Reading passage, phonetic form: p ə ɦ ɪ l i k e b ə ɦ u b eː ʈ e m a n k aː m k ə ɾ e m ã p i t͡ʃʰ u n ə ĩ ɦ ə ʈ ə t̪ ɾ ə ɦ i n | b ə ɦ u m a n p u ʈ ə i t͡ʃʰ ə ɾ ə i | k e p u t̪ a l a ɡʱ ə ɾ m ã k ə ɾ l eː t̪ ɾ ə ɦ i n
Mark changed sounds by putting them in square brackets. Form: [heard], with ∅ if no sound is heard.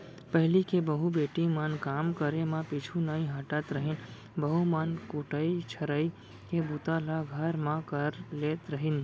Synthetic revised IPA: p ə ɦ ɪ l i k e b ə ɦ u b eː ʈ [i] m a n k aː m k ə ɾ e m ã p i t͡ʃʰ u n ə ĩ ɦ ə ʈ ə t̪ ɾ ə ɦ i n | b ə ɦ u m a n [k] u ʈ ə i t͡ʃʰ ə ɾ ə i | k e [b] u t̪ a l a ɡʱ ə ɾ m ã k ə ɾ l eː t̪ ɾ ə ɦ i n